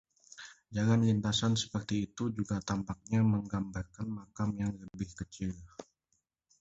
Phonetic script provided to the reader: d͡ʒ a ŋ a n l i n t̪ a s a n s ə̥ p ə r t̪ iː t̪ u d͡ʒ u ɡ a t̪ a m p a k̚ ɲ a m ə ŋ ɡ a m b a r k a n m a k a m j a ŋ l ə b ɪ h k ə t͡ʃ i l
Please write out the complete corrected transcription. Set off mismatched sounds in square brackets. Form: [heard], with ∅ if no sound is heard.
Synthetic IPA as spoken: d͡ʒ a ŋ a n l i n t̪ a s a n s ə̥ p ə r t̪ iː t̪ u d͡ʒ u ɡ a t̪ a m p a k̚ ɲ a m ə ŋ ɡ a m b a r k a n m a k a m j a ŋ l ə b ɪ h k ə t͡ʃ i l

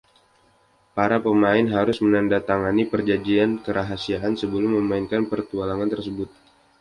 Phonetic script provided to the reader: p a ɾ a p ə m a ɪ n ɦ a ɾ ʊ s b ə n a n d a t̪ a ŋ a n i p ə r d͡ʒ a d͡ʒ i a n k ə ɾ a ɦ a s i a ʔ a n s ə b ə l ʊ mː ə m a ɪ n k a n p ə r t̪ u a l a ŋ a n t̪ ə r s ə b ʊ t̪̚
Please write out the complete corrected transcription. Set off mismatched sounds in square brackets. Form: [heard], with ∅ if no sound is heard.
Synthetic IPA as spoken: p a ɾ a p ə m a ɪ n ɦ a ɾ ʊ s [m] ə n a n d a t̪ a ŋ a n i p ə r d͡ʒ a d͡ʒ i a n k ə ɾ a ɦ a s i a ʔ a n s ə b ə l ʊ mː ə m a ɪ n k a n p ə r t̪ u a l a ŋ a n t̪ ə r s ə b ʊ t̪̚

